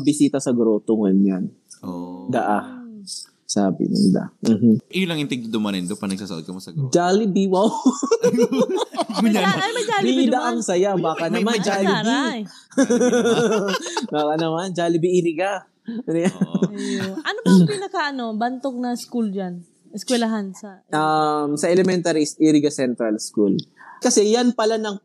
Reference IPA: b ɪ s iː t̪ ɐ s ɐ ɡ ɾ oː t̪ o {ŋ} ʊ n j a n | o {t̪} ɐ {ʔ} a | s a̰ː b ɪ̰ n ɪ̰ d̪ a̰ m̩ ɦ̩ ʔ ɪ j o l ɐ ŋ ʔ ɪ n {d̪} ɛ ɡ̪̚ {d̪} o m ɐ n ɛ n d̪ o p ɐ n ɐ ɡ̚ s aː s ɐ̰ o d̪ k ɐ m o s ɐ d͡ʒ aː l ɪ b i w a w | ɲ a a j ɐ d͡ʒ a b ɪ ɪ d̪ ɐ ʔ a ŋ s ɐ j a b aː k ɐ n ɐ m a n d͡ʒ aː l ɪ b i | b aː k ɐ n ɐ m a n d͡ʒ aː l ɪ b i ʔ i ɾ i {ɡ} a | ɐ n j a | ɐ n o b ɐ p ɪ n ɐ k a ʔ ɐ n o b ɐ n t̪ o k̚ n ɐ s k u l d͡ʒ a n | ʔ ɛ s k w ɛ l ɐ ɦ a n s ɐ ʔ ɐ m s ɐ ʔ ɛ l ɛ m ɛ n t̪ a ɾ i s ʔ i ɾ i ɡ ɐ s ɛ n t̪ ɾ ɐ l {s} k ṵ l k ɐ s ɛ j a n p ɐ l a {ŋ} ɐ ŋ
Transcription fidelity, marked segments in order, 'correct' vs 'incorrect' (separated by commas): correct, incorrect, correct, incorrect, correct, correct, correct, incorrect